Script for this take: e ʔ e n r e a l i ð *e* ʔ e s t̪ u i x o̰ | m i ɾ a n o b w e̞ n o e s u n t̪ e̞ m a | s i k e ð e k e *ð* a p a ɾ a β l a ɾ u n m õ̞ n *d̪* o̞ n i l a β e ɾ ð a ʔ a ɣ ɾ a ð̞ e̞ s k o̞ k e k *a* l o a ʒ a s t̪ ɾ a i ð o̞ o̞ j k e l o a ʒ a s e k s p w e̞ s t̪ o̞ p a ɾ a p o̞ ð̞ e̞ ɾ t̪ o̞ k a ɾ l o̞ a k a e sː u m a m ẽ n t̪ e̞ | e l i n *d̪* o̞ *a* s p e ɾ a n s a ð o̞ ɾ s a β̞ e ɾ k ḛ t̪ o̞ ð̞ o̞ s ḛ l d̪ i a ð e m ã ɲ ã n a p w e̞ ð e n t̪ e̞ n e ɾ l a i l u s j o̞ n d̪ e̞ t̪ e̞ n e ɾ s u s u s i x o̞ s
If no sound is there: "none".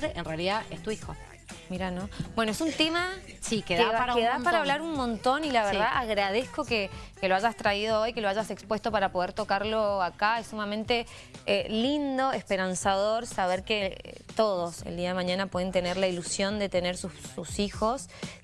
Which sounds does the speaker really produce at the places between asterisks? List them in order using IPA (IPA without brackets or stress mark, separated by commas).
a, ð, t̪, e, d̪, e